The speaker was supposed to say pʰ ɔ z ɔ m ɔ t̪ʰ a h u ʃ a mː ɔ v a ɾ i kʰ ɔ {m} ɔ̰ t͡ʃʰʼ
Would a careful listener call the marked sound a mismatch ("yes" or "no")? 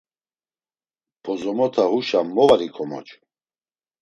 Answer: no